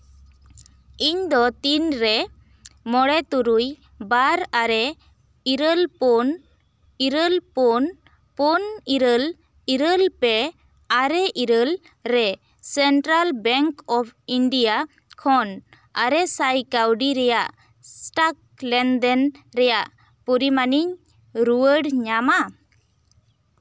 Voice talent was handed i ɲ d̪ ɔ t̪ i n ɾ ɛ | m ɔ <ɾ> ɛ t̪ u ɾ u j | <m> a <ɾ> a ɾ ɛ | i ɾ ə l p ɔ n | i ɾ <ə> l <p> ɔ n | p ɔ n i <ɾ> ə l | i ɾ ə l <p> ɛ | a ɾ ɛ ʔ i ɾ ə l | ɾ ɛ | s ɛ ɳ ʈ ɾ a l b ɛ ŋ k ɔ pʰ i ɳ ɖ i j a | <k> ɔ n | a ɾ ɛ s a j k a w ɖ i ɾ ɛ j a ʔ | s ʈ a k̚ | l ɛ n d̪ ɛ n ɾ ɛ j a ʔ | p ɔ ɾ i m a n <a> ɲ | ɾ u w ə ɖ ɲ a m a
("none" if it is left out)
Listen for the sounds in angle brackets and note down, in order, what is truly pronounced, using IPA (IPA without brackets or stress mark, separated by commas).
ɽ, b, ɾ, ə, p, ɾ, p, kʰ, i